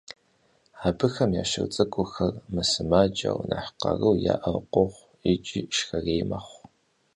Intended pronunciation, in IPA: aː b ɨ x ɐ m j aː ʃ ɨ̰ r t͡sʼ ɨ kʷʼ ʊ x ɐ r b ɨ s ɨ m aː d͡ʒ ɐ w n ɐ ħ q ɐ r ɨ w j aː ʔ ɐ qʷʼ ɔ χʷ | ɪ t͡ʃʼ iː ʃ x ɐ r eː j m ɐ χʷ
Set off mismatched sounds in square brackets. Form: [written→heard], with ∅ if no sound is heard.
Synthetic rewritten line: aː b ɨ x ɐ m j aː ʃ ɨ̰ r t͡sʼ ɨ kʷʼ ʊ x ɐ r [b→m] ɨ s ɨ m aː d͡ʒ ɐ w n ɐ ħ q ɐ r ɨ w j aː ʔ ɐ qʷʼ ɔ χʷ | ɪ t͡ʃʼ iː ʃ x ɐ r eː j m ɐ χʷ